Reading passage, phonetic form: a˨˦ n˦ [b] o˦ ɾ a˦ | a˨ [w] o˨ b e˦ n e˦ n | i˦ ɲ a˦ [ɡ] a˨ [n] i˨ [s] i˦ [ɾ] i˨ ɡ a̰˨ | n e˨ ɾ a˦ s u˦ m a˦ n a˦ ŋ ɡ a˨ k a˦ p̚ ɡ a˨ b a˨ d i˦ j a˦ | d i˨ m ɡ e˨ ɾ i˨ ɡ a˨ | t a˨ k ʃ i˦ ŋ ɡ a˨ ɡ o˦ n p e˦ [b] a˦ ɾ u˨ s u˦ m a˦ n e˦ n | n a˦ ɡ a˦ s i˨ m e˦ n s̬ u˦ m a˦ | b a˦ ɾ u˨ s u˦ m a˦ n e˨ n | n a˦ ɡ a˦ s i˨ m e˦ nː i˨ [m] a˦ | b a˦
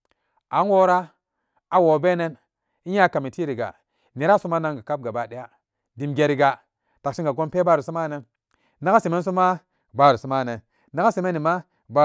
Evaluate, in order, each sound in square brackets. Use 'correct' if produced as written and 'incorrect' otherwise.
incorrect, correct, incorrect, incorrect, incorrect, correct, correct, correct

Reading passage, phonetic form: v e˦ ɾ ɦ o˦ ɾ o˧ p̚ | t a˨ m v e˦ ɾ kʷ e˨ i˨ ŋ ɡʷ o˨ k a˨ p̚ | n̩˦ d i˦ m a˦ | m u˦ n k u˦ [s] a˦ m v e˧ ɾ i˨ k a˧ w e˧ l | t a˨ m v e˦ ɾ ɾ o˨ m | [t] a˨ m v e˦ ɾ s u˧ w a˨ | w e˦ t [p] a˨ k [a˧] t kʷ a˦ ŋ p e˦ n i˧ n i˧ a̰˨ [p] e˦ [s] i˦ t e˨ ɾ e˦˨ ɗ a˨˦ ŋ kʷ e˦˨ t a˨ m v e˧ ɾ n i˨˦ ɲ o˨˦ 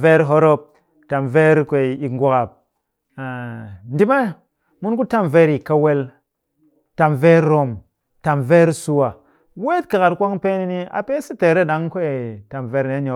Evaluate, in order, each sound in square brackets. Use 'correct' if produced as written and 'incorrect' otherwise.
incorrect, correct, incorrect, correct, correct, correct

